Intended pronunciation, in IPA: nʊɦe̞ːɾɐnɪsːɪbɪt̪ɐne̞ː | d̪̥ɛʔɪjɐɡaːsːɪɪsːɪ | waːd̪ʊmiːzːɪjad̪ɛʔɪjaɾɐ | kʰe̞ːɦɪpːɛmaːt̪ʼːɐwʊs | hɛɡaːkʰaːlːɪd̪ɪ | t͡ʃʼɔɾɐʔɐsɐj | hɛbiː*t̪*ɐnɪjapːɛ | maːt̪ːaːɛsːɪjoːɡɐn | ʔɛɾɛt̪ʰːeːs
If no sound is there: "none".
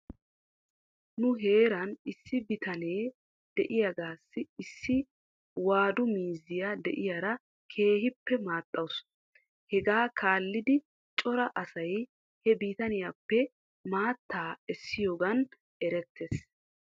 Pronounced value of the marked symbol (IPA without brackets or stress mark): t̪